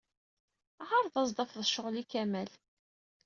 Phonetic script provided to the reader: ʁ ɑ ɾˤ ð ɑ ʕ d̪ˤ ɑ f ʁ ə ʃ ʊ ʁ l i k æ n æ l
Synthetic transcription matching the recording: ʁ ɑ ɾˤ ð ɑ z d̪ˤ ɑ f ð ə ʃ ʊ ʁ l i k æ m æ l